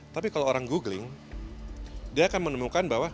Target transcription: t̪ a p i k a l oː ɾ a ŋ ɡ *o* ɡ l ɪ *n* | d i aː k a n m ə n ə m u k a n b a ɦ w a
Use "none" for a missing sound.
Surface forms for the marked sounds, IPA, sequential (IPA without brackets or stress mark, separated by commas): u, ŋ